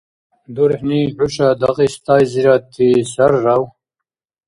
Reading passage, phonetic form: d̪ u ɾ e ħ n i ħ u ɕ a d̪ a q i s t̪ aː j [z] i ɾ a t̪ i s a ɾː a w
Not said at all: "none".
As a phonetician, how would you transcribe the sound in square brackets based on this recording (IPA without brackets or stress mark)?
z